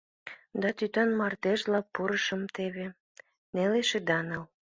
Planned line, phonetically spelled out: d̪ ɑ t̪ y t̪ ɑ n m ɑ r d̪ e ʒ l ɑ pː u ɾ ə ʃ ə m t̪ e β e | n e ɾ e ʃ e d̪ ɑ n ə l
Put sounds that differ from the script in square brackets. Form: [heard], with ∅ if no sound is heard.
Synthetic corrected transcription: d̪ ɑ t̪ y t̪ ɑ n m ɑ r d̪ e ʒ l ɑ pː u ɾ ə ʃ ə m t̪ e β e | n e [l] e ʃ e d̪ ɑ n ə l